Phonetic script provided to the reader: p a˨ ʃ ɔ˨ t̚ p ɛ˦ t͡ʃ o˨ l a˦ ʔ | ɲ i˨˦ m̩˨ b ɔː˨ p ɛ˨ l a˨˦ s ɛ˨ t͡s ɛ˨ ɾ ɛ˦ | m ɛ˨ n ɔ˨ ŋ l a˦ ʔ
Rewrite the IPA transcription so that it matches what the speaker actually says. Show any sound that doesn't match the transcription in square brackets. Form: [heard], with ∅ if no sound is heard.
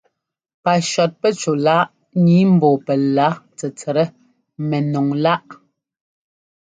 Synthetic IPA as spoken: p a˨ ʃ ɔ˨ t̚ p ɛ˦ t͡ʃ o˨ l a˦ ʔ | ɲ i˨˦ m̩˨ b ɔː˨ p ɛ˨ l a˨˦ [t͡s] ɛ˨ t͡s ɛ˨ ɾ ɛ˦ | m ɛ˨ n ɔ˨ ŋ l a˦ ʔ

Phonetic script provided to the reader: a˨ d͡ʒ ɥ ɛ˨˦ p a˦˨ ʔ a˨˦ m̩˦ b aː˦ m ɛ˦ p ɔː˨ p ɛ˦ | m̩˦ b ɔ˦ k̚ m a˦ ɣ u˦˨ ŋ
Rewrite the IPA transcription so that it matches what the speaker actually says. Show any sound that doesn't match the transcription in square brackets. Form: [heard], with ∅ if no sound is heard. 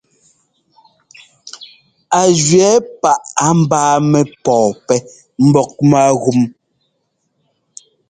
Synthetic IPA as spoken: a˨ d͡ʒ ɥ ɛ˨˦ p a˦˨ ʔ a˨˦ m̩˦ b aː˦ m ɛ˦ p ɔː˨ p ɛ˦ | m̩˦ b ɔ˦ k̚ m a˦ ɣ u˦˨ [m]

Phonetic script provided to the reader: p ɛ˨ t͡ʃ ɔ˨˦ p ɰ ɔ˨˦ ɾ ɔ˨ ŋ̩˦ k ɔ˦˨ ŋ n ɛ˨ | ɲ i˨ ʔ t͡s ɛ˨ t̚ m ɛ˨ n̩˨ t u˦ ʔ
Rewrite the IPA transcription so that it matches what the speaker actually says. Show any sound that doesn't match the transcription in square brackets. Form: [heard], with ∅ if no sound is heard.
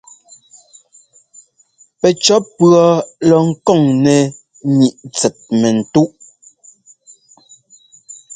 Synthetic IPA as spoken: p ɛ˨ t͡ʃ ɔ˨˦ p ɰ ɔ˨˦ [l] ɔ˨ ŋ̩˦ k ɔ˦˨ ŋ n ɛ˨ | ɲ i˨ ʔ t͡s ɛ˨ t̚ m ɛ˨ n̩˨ t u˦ ʔ

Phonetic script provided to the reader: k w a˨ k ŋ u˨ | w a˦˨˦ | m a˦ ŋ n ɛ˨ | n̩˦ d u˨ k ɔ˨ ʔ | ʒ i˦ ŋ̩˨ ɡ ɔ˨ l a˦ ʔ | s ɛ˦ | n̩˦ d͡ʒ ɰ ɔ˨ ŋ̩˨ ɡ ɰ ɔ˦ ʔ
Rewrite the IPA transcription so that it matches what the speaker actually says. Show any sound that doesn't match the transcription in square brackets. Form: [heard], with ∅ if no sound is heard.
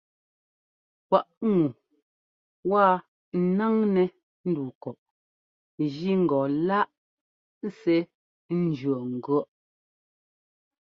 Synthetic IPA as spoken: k w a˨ [ʔ] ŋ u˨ | w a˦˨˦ | [n] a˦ ŋ n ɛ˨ | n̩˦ d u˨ k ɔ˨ ʔ | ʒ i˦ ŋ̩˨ ɡ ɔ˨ l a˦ ʔ | s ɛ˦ | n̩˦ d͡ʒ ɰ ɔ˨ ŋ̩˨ ɡ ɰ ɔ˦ ʔ

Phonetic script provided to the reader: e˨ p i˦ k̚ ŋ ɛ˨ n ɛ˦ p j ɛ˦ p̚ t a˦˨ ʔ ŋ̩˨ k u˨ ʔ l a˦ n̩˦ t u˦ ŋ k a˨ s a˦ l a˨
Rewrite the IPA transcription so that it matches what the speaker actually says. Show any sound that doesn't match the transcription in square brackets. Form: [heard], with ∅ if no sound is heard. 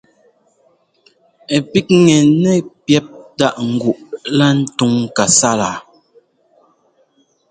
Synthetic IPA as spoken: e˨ p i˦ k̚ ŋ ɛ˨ n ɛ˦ p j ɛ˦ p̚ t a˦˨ ʔ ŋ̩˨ [ɡ] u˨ ʔ l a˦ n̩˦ t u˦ ŋ k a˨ s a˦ l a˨

